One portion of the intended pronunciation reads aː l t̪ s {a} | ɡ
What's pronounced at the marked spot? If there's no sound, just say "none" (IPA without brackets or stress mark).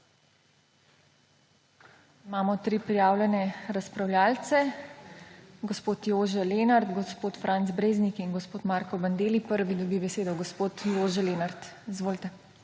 ɛ